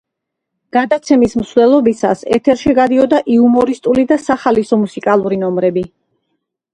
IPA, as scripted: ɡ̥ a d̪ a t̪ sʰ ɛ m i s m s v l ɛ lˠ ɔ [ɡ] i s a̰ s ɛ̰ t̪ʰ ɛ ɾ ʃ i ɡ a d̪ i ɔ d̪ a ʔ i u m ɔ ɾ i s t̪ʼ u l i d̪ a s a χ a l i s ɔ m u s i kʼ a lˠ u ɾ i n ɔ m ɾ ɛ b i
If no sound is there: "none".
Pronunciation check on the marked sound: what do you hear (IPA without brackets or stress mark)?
b